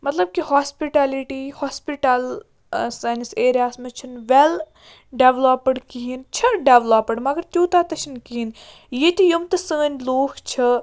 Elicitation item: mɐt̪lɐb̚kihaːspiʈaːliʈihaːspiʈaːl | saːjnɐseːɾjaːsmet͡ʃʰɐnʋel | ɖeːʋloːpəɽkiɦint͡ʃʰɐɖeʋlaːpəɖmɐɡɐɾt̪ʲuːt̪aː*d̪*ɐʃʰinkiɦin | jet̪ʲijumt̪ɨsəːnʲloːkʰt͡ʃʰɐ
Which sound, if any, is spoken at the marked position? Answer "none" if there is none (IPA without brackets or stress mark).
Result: t̪